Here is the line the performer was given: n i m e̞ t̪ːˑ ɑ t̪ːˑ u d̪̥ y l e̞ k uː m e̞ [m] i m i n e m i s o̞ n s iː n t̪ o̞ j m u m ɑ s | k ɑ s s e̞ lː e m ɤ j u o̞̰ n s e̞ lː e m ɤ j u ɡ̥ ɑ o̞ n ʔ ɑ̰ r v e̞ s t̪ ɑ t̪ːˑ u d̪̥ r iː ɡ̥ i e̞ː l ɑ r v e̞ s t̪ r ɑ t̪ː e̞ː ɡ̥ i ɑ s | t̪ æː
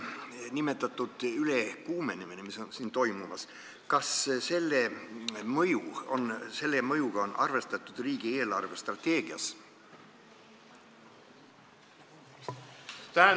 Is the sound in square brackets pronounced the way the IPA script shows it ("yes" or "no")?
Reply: no